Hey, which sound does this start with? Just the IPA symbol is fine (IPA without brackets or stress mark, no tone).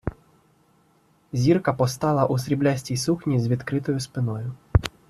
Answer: zʲ